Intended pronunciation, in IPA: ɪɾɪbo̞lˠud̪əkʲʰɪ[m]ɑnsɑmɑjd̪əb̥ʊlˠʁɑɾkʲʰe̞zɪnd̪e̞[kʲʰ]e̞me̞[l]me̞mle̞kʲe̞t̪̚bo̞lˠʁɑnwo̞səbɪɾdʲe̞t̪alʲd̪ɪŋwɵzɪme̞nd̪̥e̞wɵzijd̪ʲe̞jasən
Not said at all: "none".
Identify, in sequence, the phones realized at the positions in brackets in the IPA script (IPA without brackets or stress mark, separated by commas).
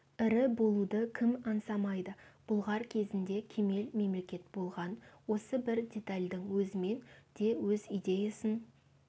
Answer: m, kʲʰ, l